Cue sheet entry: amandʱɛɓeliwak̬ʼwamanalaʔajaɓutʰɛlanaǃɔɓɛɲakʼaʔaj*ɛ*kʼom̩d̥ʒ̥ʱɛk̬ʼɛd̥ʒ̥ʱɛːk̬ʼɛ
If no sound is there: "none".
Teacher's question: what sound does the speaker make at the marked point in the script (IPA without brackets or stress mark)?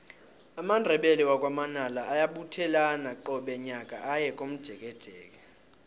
ɛ